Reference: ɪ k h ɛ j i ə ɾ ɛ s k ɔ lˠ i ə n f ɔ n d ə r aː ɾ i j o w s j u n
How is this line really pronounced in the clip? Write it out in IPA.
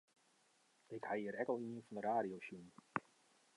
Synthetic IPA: ɪ k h a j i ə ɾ ɛ k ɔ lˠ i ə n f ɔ n d ə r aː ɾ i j o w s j u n